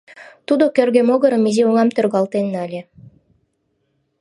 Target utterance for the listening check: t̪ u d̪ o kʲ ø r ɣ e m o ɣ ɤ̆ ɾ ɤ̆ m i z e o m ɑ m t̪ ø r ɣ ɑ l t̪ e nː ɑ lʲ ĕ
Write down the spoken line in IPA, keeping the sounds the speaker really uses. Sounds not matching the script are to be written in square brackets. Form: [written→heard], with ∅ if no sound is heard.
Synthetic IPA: t̪ u d̪ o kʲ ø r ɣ e m o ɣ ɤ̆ ɾ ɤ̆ m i z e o [m→ŋ] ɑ m t̪ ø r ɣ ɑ l t̪ e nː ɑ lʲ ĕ